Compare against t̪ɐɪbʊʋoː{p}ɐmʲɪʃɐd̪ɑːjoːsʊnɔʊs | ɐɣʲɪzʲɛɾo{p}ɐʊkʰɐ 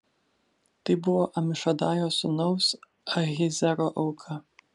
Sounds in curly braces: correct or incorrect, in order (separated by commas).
incorrect, incorrect